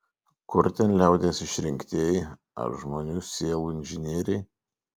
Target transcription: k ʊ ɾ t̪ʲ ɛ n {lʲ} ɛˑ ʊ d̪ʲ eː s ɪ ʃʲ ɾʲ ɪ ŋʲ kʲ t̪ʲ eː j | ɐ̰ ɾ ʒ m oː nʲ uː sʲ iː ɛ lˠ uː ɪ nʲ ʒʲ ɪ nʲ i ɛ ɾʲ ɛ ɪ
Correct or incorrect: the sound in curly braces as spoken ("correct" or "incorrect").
correct